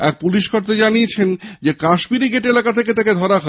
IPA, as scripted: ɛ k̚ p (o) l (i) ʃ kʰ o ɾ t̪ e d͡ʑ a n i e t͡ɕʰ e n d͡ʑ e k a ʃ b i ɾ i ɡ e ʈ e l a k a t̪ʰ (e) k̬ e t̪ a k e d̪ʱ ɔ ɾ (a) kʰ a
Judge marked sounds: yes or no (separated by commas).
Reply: no, yes, yes, yes